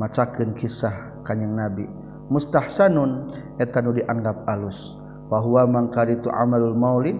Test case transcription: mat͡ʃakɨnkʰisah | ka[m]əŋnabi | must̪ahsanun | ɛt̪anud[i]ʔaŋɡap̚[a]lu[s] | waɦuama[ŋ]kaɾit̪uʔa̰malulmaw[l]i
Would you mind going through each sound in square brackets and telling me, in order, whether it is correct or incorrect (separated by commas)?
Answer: incorrect, correct, correct, correct, correct, correct